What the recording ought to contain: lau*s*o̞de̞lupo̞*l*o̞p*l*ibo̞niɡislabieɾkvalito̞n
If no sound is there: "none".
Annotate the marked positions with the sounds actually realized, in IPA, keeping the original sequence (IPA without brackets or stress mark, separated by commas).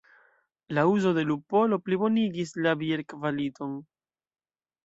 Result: z, l, l